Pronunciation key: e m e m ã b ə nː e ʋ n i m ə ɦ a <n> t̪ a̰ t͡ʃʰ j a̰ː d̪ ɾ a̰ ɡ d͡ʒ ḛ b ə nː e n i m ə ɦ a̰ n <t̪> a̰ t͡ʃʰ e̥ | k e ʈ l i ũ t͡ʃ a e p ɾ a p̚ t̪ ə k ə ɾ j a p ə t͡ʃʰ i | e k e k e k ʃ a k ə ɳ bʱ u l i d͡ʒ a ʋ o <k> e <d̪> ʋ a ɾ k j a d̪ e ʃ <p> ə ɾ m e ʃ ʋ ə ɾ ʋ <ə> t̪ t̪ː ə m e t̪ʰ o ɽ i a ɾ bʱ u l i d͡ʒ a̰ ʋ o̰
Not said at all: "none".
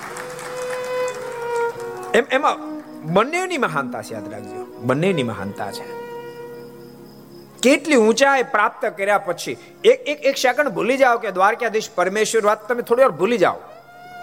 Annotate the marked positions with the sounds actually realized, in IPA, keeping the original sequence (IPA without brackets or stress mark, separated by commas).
n, t̪, k, d̪, p, a